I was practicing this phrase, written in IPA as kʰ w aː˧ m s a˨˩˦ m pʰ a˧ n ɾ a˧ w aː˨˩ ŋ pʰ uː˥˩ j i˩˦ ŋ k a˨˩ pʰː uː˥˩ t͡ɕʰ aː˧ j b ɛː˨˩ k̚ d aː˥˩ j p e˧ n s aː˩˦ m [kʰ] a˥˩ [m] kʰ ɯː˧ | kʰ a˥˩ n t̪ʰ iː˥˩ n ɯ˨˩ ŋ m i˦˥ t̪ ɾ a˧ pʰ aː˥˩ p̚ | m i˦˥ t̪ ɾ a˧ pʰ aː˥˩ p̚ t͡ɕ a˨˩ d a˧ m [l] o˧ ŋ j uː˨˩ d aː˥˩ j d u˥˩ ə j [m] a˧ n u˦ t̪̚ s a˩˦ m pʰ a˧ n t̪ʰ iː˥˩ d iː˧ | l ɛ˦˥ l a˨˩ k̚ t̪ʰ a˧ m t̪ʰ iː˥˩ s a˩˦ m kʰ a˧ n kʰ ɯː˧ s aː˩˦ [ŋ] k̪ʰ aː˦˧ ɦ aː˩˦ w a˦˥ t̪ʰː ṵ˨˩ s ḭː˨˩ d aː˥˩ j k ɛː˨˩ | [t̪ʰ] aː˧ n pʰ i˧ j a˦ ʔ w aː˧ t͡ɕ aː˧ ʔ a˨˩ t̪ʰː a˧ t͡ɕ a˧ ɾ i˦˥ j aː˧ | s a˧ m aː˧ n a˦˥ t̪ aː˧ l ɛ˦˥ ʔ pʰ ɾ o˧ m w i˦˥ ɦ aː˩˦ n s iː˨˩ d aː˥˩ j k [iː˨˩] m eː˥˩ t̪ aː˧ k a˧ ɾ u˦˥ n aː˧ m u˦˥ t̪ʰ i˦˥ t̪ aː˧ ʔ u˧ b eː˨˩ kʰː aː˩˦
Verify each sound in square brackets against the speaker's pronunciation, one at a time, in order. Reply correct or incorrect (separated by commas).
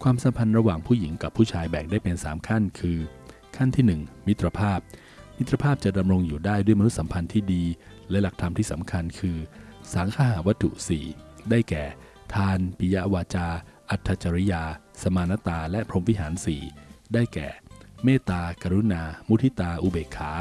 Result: correct, incorrect, incorrect, correct, correct, correct, incorrect